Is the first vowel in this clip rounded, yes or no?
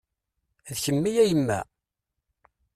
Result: no